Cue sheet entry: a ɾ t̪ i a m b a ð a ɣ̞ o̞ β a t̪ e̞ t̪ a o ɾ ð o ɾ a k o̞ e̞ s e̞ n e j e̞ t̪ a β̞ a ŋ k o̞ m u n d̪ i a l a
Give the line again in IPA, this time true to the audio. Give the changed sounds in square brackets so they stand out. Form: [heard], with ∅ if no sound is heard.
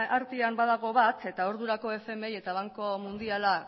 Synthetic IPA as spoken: a ɾ t̪ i a m b a ð a ɣ̞ o̞ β a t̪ e̞ t̪ a o ɾ ð [u] ɾ a k o̞ e̞ [f] e̞ [m] e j e̞ t̪ a β̞ a ŋ k o̞ m u n d̪ i a l a